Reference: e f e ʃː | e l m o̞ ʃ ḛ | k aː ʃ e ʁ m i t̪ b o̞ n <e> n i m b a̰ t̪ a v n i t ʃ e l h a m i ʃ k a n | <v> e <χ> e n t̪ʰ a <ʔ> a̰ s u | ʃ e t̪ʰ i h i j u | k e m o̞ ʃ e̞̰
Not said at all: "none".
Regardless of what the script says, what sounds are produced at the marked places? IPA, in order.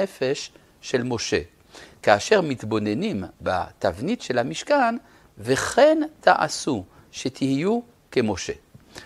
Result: e, v, χ, ʔ

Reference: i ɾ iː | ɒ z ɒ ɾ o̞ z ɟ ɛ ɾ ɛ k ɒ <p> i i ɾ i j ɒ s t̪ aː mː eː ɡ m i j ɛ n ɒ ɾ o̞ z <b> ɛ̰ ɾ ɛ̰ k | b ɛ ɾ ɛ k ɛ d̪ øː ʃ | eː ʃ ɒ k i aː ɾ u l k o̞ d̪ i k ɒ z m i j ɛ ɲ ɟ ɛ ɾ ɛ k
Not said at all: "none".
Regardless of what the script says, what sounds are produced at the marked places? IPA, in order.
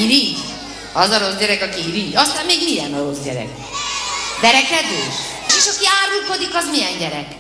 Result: k, ɟ

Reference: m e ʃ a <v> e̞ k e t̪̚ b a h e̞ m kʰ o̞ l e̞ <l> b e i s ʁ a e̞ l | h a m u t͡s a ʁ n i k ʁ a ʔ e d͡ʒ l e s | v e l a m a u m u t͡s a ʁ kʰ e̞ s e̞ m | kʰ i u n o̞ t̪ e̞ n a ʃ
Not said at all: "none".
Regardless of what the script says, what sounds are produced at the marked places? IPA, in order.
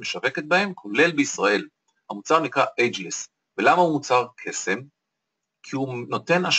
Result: v, l

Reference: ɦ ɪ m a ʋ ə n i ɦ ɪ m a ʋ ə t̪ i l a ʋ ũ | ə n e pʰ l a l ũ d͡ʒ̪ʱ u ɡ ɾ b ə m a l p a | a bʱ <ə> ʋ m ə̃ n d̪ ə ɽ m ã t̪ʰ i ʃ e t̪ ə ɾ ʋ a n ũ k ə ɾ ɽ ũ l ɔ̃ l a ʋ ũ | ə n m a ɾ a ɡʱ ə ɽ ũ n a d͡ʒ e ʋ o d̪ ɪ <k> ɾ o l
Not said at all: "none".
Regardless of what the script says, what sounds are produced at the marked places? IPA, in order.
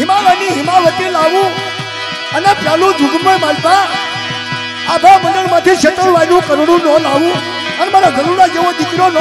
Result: a, k

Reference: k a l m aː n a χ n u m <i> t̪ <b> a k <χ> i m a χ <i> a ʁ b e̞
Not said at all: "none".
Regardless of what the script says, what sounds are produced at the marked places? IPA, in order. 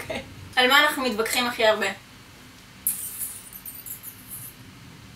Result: i, b, χ, i

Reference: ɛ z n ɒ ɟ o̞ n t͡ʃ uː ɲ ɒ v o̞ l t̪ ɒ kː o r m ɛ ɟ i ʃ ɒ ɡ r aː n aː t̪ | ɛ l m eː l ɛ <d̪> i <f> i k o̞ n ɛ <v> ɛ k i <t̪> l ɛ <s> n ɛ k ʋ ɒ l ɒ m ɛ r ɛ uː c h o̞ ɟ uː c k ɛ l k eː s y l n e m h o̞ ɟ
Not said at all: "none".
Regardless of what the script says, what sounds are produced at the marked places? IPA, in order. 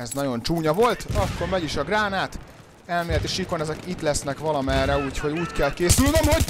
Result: t̪, ʃ, z, t̪, s

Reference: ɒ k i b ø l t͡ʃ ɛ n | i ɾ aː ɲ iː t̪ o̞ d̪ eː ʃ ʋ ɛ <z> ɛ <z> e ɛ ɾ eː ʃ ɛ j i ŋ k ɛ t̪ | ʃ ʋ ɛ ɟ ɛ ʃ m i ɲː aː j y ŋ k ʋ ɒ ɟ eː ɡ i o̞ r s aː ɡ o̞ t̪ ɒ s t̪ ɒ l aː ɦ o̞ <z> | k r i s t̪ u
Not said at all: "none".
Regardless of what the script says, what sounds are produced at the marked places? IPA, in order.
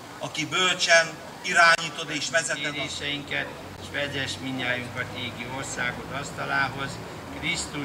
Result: z, none, z

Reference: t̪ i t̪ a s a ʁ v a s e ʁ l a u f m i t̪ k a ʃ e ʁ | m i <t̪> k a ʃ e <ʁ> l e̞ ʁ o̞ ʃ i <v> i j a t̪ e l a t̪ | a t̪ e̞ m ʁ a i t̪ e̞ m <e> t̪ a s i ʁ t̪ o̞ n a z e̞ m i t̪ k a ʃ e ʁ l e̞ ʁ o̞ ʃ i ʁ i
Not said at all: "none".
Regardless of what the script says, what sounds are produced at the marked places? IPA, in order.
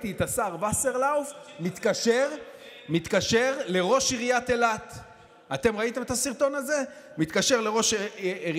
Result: t̪, ʁ, ʁ, e

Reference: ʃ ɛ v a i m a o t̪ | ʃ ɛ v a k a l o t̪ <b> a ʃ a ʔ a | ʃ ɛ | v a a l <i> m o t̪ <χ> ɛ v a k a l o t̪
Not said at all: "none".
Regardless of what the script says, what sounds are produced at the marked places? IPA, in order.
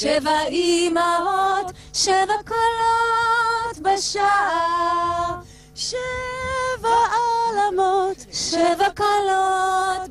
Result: b, a, ʃ

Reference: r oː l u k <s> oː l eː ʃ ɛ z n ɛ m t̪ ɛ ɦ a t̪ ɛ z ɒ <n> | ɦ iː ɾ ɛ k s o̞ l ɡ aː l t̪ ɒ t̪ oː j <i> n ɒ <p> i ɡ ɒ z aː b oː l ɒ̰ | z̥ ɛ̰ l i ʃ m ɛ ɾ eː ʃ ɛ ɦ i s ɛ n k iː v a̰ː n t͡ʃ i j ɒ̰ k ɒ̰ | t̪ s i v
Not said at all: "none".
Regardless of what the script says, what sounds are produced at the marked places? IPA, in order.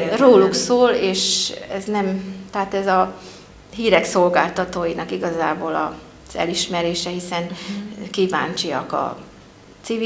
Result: s, none, i, k

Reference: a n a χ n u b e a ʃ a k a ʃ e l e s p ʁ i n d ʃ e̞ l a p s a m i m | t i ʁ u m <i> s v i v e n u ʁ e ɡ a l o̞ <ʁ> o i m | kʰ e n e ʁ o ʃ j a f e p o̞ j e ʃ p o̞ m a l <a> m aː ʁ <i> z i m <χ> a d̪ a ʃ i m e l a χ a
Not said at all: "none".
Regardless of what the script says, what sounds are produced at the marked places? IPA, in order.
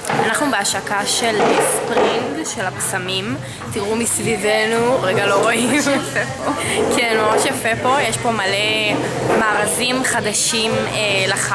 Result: i, ʁ, e, a, χ

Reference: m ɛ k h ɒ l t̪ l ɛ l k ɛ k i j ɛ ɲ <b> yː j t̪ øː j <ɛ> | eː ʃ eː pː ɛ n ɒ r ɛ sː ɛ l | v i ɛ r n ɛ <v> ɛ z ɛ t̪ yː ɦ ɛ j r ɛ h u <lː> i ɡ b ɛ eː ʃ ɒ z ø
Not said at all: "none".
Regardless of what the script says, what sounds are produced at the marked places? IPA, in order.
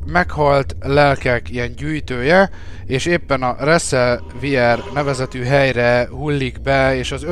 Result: ɟ, ɛ, v, lː

